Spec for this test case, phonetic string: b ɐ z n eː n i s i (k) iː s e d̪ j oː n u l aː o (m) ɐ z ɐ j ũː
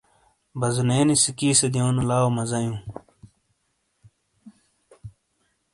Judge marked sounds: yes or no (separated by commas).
yes, yes